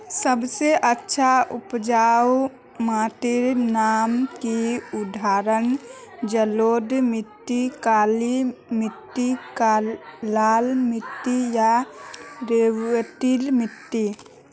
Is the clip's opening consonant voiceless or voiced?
voiceless